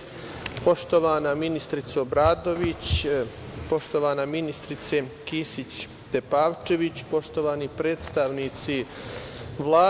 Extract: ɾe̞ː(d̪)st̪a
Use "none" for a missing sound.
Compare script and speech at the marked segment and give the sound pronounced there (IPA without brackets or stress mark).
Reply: t̪